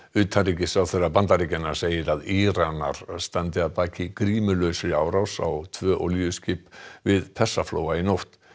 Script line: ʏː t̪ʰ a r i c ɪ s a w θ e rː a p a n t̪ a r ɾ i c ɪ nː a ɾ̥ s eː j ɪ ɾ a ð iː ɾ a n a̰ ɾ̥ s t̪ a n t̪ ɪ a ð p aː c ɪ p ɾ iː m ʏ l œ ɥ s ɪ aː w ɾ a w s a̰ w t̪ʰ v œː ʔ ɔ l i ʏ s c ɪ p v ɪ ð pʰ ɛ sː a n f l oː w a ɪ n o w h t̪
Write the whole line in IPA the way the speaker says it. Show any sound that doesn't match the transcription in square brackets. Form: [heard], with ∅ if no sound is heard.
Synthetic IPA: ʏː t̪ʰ a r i c ɪ s a w θ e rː a p a n t̪ a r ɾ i c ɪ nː a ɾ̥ s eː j ɪ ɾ a ð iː ɾ a n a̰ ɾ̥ s t̪ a n t̪ ɪ a ð p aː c ɪ [k] ɾ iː m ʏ l œ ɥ s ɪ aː w ɾ a w s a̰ w t̪ʰ v œː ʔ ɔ l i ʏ s c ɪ p v ɪ ð pʰ ɛ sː a [∅] f l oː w a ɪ n o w h t̪